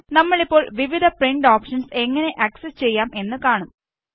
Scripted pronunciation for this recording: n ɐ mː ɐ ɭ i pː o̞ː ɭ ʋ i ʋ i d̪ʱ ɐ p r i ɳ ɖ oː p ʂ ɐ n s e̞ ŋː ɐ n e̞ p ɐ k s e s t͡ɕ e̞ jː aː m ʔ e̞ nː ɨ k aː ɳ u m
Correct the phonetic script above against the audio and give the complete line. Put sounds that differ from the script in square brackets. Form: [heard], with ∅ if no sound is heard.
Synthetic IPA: n ɐ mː ɐ ɭ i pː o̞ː ɭ ʋ i ʋ i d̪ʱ ɐ p r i ɳ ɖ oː p ʂ ɐ n s e̞ ŋː ɐ n e̞ [ʔ] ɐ k s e s t͡ɕ e̞ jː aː m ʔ e̞ nː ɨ k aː ɳ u m